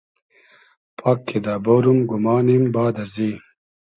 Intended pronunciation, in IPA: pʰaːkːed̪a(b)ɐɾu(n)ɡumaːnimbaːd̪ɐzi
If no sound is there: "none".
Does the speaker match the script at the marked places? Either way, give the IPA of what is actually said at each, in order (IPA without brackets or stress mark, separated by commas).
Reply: b, m